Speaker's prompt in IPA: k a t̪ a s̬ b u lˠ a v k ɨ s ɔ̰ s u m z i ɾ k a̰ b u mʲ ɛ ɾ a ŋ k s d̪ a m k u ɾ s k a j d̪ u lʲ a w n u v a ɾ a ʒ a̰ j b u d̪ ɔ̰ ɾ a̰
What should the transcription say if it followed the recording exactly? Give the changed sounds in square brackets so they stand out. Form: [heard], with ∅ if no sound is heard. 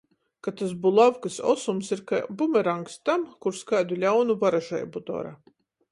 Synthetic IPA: k a t̪ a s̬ b u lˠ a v k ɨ s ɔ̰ s u m [s] i ɾ k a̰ b u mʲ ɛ ɾ a ŋ k s [t̪] a m k u ɾ s k a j d̪ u lʲ a w n u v a ɾ a ʒ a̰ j b u d̪ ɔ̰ ɾ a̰